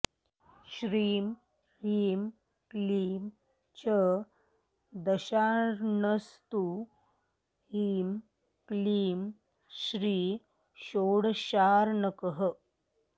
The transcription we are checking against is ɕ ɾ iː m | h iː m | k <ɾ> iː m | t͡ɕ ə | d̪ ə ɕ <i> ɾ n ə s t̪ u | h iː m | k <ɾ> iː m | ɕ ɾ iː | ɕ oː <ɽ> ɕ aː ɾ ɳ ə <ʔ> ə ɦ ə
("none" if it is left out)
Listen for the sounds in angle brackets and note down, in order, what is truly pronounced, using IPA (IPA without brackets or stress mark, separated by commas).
l, a, l, ɽ, k